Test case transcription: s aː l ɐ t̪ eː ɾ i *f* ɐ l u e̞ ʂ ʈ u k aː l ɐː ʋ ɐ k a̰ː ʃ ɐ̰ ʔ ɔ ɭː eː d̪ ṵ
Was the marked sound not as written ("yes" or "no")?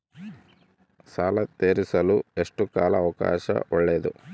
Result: yes